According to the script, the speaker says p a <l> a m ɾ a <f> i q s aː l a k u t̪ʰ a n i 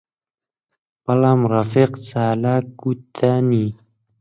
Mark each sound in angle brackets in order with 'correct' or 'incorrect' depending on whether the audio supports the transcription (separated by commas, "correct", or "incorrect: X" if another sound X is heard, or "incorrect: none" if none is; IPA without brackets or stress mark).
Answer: correct, correct